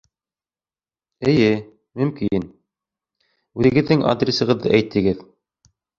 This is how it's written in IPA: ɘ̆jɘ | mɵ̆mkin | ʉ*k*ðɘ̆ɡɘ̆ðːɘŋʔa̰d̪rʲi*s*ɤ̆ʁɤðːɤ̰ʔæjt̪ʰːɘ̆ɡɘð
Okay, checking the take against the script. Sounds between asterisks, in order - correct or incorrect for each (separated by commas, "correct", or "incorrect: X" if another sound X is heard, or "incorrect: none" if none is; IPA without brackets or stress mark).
incorrect: none, correct